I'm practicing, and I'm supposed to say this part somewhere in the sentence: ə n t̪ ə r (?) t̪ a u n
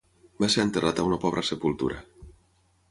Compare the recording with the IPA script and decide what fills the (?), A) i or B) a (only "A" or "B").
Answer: B